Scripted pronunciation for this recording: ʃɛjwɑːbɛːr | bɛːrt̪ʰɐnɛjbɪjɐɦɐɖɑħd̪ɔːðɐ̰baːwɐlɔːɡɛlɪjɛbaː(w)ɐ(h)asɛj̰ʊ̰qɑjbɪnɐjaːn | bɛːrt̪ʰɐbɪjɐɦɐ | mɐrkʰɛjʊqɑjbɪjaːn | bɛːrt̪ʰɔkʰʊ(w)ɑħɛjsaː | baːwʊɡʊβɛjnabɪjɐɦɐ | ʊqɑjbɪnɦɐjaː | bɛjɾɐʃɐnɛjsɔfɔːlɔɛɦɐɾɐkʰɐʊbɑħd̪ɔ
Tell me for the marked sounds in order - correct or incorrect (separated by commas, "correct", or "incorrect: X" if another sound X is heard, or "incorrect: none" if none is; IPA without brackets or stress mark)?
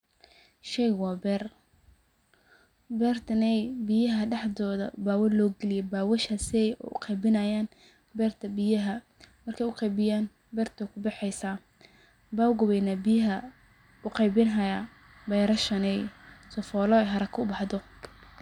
correct, incorrect: ʃ, incorrect: b